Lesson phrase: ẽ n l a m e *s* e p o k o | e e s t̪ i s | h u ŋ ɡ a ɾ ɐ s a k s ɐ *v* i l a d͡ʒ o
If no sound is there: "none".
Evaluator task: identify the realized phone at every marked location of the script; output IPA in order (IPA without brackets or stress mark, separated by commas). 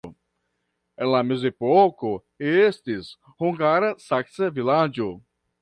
z, v